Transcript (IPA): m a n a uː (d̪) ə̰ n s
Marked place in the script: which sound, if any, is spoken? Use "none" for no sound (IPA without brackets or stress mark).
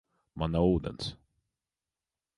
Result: d̪